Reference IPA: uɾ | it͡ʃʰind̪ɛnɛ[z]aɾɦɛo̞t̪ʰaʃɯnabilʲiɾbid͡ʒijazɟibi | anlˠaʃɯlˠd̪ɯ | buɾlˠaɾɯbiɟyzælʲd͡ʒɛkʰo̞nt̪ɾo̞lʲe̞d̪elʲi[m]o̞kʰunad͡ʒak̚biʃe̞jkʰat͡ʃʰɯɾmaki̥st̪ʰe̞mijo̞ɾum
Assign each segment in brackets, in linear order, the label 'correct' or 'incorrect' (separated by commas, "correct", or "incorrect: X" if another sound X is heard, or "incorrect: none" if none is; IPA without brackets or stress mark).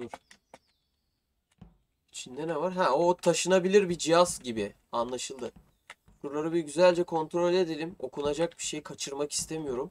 incorrect: v, correct